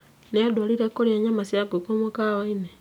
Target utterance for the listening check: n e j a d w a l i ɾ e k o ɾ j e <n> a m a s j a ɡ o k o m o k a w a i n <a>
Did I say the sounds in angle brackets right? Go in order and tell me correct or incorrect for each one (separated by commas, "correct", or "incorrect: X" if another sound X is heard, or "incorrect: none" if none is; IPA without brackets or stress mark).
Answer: incorrect: ɲ, incorrect: e